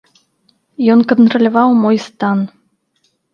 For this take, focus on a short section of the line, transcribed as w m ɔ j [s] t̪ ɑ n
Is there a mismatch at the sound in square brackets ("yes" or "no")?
no